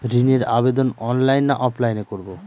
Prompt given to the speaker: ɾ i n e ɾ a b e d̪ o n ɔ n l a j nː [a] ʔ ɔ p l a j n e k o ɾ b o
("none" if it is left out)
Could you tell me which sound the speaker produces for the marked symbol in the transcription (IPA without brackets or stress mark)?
a